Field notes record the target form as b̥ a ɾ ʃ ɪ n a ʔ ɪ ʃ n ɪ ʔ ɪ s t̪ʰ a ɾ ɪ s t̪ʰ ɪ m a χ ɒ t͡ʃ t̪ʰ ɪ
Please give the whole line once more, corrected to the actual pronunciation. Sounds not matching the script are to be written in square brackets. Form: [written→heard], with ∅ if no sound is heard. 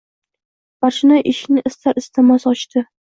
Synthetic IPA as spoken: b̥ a ɾ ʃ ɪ n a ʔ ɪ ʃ n ɪ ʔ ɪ s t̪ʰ a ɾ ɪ s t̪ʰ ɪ m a [χ→s] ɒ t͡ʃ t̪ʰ ɪ